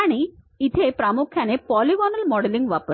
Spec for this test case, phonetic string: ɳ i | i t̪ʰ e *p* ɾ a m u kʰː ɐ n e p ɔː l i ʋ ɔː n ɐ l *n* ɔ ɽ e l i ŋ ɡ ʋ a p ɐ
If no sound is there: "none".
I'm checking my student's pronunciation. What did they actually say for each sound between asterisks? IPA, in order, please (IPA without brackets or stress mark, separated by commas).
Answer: p, m